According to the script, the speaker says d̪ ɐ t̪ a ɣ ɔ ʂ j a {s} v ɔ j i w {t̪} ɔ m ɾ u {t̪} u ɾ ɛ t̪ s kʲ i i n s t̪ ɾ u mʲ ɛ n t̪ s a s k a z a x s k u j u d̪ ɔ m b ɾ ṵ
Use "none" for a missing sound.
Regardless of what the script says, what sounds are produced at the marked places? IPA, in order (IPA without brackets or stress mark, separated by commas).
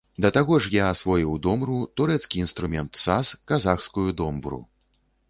s, d̪, t̪